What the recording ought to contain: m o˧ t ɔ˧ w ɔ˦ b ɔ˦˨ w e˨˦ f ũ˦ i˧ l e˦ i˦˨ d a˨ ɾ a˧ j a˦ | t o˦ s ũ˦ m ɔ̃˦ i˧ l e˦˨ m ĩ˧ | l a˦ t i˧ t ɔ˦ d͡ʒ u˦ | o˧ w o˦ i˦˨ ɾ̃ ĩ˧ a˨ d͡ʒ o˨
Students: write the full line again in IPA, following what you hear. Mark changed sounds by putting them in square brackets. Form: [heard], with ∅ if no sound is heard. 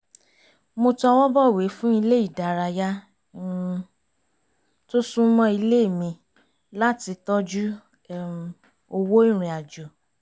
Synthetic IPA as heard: m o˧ t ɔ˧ w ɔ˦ b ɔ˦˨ w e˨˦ f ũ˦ i˧ l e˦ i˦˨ d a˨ ɾ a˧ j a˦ | t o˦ s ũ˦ m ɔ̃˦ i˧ l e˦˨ m ĩ˧ | l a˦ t i˧ t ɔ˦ d͡ʒ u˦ | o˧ w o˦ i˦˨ ɾ̃ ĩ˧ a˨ d͡ʒ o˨